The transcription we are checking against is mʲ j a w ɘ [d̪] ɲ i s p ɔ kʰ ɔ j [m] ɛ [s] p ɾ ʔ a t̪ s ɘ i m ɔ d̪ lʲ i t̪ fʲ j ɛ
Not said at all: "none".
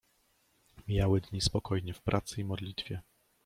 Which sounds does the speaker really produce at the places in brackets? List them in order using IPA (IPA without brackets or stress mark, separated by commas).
d̪, ɲ, f